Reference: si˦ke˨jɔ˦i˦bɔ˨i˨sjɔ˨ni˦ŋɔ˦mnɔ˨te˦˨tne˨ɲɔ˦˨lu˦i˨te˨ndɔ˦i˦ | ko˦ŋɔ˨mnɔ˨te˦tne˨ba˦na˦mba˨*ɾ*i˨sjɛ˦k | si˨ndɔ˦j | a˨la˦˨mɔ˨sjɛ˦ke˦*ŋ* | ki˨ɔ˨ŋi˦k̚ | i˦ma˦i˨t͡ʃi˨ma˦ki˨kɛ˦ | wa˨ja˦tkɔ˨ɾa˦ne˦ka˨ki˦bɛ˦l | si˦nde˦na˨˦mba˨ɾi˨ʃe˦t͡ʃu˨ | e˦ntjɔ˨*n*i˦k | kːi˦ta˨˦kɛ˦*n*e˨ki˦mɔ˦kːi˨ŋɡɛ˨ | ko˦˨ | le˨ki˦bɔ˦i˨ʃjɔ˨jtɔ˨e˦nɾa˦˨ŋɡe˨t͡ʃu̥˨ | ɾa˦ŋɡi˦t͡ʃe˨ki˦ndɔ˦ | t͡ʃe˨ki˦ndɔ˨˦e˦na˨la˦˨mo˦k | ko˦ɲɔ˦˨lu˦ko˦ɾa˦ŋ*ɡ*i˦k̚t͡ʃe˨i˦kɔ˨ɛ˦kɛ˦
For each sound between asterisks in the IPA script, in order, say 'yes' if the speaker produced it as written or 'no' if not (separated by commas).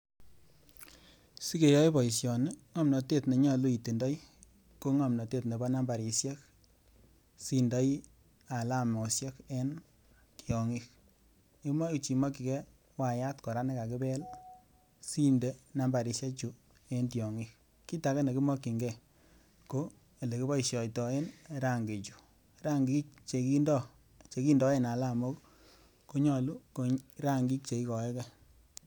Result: yes, no, no, yes, yes